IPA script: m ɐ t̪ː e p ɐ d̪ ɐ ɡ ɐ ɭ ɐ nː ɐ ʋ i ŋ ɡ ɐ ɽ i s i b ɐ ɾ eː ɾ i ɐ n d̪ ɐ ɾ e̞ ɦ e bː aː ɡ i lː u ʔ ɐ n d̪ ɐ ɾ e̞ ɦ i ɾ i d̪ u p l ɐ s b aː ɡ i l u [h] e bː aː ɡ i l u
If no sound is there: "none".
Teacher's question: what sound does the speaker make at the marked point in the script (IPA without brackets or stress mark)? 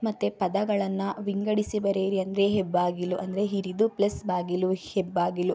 h